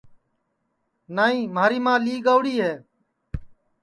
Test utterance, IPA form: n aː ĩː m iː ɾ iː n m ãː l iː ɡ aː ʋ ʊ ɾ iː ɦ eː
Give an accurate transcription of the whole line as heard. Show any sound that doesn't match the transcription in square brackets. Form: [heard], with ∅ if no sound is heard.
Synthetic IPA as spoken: n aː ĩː m [aː] ɾ iː [∅] m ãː l iː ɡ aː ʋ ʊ [ɽ] iː ɦ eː